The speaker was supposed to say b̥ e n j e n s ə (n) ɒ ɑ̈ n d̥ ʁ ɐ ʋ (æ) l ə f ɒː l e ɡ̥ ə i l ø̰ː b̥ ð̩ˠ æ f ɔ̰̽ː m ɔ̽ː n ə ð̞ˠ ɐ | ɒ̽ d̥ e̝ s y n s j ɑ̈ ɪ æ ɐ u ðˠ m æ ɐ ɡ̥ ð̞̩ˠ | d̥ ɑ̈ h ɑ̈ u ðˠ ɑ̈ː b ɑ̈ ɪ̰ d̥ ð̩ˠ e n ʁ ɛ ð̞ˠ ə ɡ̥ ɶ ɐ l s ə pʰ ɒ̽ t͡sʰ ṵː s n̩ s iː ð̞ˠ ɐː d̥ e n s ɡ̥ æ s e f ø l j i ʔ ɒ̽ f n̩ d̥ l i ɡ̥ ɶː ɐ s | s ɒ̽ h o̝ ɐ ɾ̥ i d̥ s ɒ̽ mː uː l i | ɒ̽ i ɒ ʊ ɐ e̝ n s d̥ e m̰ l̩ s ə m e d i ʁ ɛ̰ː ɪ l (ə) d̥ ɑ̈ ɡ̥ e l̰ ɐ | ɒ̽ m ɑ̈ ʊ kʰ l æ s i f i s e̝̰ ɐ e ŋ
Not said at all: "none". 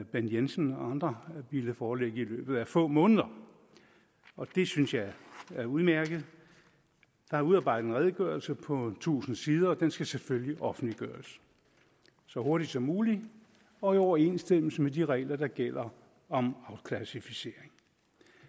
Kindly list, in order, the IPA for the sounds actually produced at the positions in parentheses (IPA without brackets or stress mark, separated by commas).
n, i, ɐ